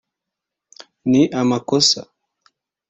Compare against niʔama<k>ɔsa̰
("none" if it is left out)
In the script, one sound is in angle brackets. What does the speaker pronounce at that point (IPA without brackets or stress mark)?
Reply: k